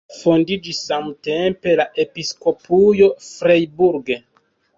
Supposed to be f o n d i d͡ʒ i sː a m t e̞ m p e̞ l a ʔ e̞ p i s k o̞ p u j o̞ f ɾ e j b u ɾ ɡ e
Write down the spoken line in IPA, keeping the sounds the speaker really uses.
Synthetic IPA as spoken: f o n d i d͡ʒ i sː a m t e̞ m p e̞ l a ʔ e̞ p i s k o̞ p u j o̞ f ɾ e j b u ɾ ɡ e